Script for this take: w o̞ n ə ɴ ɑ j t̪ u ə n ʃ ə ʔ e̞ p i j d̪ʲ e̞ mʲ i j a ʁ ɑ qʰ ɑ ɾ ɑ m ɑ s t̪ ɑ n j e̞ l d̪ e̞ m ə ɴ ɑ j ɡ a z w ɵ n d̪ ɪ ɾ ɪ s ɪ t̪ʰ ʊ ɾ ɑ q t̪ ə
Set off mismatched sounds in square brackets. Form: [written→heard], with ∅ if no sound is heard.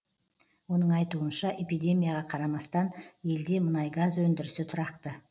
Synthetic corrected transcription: w o̞ n ə ɴ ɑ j t̪ u ə n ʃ [ə→ɑ] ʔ e̞ p i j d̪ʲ e̞ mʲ i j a ʁ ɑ qʰ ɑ ɾ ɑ m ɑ s t̪ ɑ n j e̞ l d̪ e̞ m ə [ɴ→n] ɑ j ɡ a z w ɵ n d̪ ɪ ɾ ɪ s ɪ t̪ʰ ʊ ɾ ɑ q t̪ ə

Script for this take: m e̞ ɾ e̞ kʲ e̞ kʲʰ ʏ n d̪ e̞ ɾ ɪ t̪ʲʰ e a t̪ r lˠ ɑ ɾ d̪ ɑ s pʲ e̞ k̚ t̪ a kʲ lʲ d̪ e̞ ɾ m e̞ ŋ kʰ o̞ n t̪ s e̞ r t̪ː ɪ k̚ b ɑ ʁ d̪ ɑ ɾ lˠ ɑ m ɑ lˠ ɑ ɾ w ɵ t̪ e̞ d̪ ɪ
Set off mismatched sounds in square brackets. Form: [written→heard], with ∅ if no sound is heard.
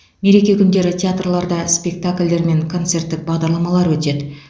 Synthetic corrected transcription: m e̞ ɾ e̞ kʲ e̞ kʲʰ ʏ n d̪ e̞ ɾ ɪ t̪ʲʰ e a t̪ r lˠ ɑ ɾ d̪ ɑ s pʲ e̞ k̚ t̪ a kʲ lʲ d̪ e̞ ɾ m e̞ ŋ kʰ o̞ n t̪ s e̞ r t̪ː ɪ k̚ b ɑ ʁ d̪ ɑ ɾ lˠ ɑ m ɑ lˠ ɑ ɾ w ɵ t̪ e̞ d̪ ɪ

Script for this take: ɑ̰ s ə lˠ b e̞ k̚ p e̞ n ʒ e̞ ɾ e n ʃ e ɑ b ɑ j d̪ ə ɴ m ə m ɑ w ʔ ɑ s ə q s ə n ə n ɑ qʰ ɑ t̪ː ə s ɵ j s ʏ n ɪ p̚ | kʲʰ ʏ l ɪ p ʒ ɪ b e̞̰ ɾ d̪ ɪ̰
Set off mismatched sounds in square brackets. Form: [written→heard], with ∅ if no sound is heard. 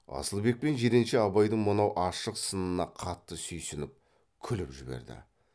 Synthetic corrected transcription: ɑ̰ s ə lˠ b e̞ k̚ p e̞ n ʒ e̞ ɾ e n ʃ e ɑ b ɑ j d̪ ə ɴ m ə [m→n] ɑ w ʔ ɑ [s→ʃ] ə q s ə n ə n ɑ qʰ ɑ t̪ː ə s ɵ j s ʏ n ɪ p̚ | kʲʰ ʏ l ɪ p ʒ ɪ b e̞̰ ɾ d̪ ɪ̰

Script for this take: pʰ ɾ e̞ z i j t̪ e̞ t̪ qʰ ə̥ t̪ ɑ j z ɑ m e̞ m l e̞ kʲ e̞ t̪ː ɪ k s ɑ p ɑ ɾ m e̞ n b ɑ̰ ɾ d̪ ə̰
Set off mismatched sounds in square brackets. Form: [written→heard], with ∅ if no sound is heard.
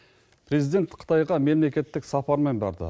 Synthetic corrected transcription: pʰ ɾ e̞ z i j [t̪→d̪] e̞ t̪ qʰ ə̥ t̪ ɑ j [z→ʁ] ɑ m e̞ m l e̞ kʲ e̞ t̪ː ɪ k s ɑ p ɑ ɾ m e̞ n b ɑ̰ ɾ d̪ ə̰

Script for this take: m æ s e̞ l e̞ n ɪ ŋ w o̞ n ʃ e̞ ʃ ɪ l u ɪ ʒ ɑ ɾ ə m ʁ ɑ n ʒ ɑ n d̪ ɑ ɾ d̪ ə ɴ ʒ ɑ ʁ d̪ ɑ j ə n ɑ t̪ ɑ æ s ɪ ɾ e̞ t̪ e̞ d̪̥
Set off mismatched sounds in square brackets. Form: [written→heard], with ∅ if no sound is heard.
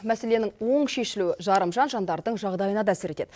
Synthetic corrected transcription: m æ s e̞ l e̞ n ɪ ŋ w o̞ [n→ɴ] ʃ e̞ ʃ ɪ l u ɪ ʒ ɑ ɾ ə m [ʁ→ʒ] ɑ n ʒ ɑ n d̪ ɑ ɾ d̪ ə ɴ ʒ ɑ ʁ d̪ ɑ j ə n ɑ [t̪→d̪] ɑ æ s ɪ ɾ e̞ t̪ e̞ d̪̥

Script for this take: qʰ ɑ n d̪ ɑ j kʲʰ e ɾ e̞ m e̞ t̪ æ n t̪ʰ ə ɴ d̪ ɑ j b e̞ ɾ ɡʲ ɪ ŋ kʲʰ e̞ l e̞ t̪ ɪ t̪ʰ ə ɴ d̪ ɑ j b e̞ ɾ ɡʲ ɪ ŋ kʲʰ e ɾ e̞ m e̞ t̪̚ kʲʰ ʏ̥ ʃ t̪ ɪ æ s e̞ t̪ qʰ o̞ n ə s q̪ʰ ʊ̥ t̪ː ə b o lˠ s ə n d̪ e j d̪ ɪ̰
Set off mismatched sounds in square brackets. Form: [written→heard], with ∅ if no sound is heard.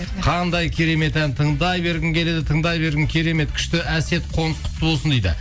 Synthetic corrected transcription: qʰ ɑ n d̪ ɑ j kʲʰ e ɾ e̞ m e̞ t̪ æ n t̪ʰ ə ɴ d̪ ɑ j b e̞ ɾ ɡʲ ɪ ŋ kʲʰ e̞ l e̞ [t̪→d̪] ɪ t̪ʰ ə ɴ d̪ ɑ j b e̞ ɾ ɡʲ ɪ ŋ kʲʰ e ɾ e̞ m e̞ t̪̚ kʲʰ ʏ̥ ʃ t̪ ɪ æ s e̞ t̪ qʰ o̞ n ə s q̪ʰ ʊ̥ t̪ː ə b o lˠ s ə n d̪ e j d̪ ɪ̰

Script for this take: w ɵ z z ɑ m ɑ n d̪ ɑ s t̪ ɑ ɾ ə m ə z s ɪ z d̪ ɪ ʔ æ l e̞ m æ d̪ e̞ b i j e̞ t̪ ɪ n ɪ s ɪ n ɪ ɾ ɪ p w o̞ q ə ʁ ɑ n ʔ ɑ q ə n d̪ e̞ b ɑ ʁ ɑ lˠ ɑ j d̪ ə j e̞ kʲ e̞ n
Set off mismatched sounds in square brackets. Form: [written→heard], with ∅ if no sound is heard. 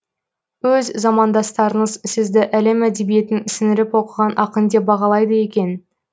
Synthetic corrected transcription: w ɵ z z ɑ m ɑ n d̪ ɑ s t̪ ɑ ɾ ə [m→ɴ] ə z s ɪ z d̪ ɪ ʔ æ l e̞ m æ d̪ e̞ b i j e̞ t̪ ɪ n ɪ s ɪ n ɪ ɾ ɪ p w o̞ q ə ʁ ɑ n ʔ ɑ q ə n d̪ e̞ b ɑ ʁ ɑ lˠ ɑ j d̪ ə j e̞ kʲ e̞ n

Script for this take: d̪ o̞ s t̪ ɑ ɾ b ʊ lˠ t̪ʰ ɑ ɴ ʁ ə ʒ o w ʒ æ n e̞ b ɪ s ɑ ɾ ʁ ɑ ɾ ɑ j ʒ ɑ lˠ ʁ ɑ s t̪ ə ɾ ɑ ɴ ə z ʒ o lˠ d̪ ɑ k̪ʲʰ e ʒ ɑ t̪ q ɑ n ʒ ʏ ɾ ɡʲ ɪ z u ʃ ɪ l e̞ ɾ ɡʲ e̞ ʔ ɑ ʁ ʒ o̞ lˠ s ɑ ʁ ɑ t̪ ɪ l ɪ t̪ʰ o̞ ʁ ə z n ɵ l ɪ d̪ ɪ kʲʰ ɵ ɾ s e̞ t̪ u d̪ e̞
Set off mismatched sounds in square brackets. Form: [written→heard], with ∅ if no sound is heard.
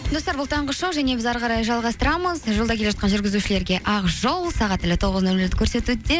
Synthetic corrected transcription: d̪ o̞ s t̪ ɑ ɾ b ʊ lˠ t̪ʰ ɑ ɴ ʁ ə [ʒ→ʃ] o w ʒ æ n e̞ b ɪ [s→z] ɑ ɾ ʁ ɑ ɾ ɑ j ʒ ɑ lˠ ʁ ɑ s t̪ ə ɾ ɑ [ɴ→m] ə z ʒ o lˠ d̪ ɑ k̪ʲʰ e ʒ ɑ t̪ q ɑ n ʒ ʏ ɾ ɡʲ ɪ z u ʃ ɪ l e̞ ɾ ɡʲ e̞ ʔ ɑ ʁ ʒ o̞ lˠ s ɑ ʁ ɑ t̪ ɪ l ɪ t̪ʰ o̞ ʁ ə z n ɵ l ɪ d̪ ɪ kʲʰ ɵ ɾ s e̞ t̪ u d̪ e̞

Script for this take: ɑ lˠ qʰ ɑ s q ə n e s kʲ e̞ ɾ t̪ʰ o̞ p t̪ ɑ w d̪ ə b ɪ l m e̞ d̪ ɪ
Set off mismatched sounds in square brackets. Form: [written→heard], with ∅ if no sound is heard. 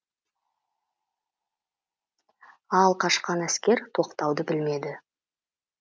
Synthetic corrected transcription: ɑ lˠ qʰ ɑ [s→ʃ] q [ə→ɑ] n [e→æ] s kʲ e̞ ɾ t̪ʰ o̞ [p→q] t̪ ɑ w d̪ ə b ɪ l m e̞ d̪ ɪ

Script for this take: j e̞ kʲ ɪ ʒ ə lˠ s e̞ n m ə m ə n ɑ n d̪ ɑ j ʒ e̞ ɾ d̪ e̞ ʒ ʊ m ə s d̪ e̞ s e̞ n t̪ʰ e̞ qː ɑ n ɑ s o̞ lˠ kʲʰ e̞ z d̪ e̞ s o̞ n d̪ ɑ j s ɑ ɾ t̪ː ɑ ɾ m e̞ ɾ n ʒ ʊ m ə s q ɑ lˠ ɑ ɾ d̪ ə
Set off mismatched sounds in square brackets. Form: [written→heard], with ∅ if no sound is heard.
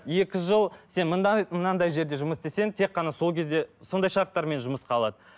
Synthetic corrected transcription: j e̞ kʲ ɪ ʒ ə lˠ s e̞ n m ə m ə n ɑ n d̪ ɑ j ʒ e̞ ɾ d̪ e̞ ʒ ʊ m ə s d̪ e̞ s e̞ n t̪ʰ e̞ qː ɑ n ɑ s o̞ lˠ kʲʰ e̞ z d̪ e̞ s o̞ n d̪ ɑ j [s→ʃ] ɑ ɾ t̪ː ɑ ɾ m e̞ [ɾ→∅] n ʒ ʊ m ə s q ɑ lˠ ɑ [ɾ→∅] d̪ ə

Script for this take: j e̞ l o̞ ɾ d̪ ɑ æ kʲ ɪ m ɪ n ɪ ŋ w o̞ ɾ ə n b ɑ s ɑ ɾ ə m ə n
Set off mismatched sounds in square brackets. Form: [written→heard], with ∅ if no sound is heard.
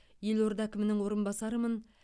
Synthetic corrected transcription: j e̞ l o̞ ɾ d̪ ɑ æ kʲ ɪ m ɪ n ɪ ŋ w o̞ ɾ ə n b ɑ s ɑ ɾ ə m ə n

